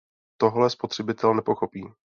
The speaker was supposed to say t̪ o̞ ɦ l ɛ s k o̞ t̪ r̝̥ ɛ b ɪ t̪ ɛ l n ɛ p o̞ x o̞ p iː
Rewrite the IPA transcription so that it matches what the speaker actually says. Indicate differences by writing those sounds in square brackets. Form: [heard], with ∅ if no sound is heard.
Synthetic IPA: t̪ o̞ ɦ l ɛ s [p] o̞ t̪ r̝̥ ɛ b ɪ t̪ ɛ l n ɛ p o̞ x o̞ p iː